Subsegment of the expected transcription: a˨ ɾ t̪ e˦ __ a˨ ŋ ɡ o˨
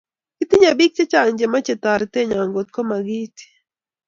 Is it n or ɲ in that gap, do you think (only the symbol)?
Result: ɲ